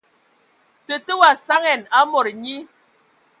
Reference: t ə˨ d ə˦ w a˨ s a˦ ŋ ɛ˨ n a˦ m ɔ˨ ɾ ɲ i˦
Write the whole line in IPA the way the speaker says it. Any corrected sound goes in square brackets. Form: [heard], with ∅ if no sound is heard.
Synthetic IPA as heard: t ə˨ [t] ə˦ w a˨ s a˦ ŋ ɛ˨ n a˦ m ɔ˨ ɾ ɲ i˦